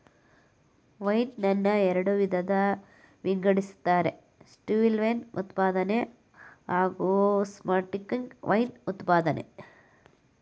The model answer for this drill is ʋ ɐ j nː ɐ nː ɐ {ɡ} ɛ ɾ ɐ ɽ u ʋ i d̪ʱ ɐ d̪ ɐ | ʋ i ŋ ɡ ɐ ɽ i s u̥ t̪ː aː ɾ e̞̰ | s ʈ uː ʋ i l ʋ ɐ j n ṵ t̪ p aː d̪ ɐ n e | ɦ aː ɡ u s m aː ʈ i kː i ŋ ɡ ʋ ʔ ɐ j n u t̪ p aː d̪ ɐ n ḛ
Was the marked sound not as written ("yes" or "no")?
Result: yes